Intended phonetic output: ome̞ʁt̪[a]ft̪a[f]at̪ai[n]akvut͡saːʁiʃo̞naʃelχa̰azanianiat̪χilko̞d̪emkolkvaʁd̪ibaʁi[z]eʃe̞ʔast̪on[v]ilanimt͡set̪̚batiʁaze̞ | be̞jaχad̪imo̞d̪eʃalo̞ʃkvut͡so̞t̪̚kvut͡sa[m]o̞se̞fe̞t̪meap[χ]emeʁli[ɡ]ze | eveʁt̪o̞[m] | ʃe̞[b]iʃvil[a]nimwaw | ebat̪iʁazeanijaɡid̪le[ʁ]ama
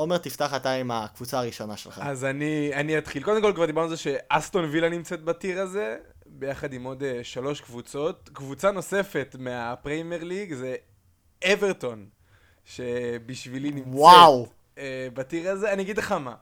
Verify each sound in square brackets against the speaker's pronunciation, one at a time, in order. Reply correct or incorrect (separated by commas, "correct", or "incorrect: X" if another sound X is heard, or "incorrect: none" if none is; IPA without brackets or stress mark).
incorrect: i, incorrect: χ, incorrect: m, correct, correct, incorrect: n, incorrect: ʁ, correct, incorrect: n, correct, incorrect: i, incorrect: χ